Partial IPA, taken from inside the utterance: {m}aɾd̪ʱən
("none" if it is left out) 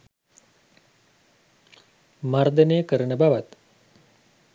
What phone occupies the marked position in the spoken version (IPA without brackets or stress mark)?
m